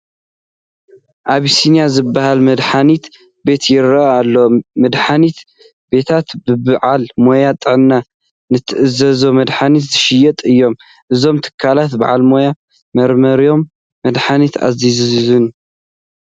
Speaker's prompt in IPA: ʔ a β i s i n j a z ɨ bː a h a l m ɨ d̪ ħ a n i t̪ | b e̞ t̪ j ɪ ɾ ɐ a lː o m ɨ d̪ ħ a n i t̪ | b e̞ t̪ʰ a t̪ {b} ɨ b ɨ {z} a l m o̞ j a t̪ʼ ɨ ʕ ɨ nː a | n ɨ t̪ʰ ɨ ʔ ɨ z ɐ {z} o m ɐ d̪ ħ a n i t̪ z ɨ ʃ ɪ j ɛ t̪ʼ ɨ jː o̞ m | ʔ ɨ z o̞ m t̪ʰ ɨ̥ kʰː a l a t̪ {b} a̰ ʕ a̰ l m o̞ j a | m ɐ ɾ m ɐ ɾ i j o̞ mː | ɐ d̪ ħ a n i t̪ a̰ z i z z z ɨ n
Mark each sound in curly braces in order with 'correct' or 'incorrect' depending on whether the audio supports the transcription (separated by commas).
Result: correct, incorrect, correct, correct